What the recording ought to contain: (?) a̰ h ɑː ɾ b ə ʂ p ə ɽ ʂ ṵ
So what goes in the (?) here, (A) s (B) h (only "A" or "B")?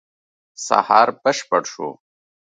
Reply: A